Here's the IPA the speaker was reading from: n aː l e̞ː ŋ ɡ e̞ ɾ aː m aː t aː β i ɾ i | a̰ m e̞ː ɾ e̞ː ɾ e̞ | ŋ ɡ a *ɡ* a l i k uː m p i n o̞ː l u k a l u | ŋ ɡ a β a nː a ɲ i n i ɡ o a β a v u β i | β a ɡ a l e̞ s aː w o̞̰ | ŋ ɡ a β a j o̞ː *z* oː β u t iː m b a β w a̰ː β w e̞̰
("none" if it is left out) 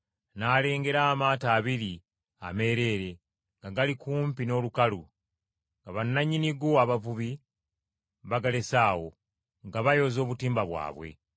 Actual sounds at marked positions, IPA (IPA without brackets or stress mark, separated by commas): ɡ, z